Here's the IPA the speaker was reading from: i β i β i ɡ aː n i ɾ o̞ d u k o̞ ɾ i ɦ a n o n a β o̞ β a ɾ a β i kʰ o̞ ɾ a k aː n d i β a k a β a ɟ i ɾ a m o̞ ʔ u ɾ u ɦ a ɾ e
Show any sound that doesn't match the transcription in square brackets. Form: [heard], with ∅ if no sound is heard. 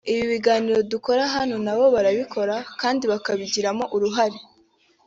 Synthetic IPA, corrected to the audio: i β i β i ɡ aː n i ɾ o̞ d u k o̞ ɾ [a] ɦ a n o n a β o̞ β a ɾ a β i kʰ o̞ ɾ a k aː n d i β a k a β [i] ɟ i ɾ a m o̞ ʔ u ɾ u ɦ a ɾ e